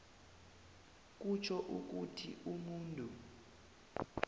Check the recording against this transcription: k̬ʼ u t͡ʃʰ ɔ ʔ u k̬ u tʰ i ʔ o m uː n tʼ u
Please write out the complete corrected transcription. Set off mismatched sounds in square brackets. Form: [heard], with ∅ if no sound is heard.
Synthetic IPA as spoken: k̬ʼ u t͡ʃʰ ɔ ʔ u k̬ u tʰ i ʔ [u] m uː n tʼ u